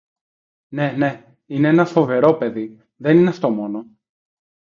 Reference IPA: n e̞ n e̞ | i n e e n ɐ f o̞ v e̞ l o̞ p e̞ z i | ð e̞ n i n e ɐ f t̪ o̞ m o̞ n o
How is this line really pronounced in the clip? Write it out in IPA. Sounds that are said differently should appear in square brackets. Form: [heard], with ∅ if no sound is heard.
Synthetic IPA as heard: n e̞ n e̞ | i n e e n ɐ f o̞ v e̞ [ɾ] o̞ p e̞ [ð] i | ð e̞ n i n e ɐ f t̪ o̞ m o̞ n o